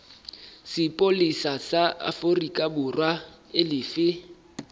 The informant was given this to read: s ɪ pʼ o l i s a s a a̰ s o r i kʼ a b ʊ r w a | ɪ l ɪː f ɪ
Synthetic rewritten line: s ɪ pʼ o l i s a s a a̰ f o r i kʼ a b ʊ r w a | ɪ l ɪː f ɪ